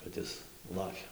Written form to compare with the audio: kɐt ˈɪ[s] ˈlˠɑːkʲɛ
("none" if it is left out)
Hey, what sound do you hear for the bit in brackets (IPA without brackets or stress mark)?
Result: s